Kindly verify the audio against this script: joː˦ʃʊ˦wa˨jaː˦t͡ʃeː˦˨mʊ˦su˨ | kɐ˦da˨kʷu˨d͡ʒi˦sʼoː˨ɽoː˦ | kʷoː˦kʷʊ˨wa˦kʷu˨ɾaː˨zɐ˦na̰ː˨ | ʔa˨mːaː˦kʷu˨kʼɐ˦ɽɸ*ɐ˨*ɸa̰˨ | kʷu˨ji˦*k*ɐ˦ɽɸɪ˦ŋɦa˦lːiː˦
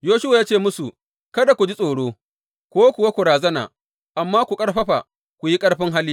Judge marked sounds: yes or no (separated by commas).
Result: no, no